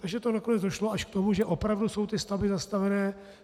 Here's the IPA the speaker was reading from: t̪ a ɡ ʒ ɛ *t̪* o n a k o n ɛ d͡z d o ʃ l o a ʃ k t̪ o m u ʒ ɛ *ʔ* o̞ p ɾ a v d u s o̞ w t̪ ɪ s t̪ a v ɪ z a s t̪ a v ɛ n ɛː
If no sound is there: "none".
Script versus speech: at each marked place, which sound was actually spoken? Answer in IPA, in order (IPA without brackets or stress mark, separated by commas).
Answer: t̪, ʔ